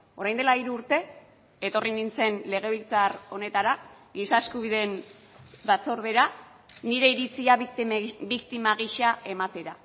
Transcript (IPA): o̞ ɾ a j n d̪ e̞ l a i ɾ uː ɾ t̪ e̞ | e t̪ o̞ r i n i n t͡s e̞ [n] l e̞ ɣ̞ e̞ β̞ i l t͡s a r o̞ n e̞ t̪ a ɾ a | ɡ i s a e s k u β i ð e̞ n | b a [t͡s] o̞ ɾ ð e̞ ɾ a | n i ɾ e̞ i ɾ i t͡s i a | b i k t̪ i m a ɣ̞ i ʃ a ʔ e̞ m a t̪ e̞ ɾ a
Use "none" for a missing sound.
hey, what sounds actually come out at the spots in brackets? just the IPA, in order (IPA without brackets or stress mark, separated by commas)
n, t͡s